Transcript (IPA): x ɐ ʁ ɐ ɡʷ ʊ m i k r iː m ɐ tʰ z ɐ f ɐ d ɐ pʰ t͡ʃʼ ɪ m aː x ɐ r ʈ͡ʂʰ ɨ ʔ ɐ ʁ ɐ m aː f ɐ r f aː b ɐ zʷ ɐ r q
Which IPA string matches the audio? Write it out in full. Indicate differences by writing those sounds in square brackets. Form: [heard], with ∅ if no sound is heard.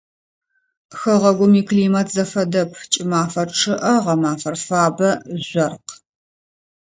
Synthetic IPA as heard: x ɐ ʁ ɐ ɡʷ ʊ m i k [l] iː m ɐ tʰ z ɐ f ɐ d ɐ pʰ t͡ʃʼ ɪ m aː [f] ɐ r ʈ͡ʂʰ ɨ ʔ ɐ ʁ ɐ m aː f ɐ r f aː b ɐ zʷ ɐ r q